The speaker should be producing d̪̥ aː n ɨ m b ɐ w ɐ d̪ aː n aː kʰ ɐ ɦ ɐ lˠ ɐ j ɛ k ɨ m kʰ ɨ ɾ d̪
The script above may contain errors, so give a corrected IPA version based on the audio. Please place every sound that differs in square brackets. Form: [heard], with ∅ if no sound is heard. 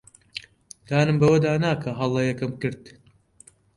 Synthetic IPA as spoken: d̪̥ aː n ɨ m b ɐ w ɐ d̪ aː n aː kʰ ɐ ɦ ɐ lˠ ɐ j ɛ k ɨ m [k] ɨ ɾ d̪